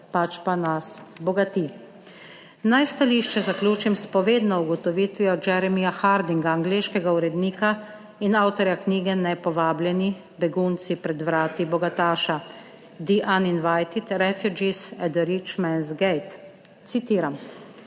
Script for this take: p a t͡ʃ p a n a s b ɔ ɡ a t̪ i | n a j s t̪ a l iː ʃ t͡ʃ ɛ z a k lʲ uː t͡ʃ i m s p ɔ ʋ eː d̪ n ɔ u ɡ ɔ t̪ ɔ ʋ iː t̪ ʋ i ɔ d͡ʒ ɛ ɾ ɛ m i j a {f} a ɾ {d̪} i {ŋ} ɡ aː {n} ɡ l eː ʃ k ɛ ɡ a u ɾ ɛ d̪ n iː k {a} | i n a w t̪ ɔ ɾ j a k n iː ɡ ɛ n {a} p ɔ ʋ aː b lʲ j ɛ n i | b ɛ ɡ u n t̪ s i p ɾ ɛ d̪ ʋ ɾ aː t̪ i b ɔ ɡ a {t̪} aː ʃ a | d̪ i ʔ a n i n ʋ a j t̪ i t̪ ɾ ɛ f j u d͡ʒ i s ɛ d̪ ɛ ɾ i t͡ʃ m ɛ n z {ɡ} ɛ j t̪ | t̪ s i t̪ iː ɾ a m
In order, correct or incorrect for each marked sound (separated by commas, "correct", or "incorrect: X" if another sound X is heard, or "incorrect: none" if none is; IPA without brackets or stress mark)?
incorrect: x, correct, correct, incorrect: ŋ, correct, incorrect: ɛ, correct, correct